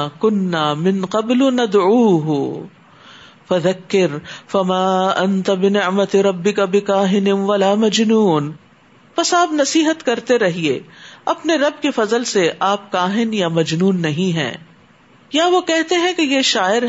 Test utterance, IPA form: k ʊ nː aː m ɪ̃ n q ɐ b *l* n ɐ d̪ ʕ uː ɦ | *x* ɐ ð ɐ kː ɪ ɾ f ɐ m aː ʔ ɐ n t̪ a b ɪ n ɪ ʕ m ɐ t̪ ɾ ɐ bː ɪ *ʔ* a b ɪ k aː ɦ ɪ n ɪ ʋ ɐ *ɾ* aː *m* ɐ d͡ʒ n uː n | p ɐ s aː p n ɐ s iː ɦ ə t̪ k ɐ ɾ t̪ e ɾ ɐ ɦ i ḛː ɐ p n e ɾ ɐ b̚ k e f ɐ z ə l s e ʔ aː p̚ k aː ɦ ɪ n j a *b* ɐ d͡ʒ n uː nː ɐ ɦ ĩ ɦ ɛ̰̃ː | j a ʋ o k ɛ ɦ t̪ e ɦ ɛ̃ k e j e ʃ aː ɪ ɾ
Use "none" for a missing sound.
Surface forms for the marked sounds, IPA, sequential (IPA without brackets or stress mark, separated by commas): l, f, k, l, m, m